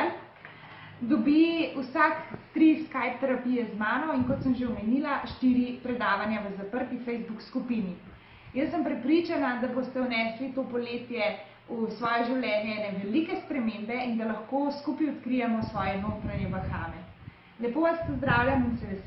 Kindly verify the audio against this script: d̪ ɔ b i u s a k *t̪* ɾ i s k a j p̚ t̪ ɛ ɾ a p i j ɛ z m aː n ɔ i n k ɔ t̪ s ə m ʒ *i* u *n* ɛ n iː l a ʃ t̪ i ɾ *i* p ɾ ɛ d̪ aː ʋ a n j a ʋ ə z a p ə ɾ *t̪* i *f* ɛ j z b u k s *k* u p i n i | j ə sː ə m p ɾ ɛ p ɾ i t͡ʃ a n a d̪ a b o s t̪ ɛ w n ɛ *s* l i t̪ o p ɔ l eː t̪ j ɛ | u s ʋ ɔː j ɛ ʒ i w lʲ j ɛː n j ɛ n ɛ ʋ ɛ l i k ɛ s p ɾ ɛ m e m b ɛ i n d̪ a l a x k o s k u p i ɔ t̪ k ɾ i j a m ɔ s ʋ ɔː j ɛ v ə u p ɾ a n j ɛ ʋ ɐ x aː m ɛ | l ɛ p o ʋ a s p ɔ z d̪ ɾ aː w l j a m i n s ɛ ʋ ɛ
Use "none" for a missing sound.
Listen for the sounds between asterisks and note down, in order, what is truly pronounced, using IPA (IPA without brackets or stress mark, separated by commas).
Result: t̪, e, m, i, t̪, f, k, s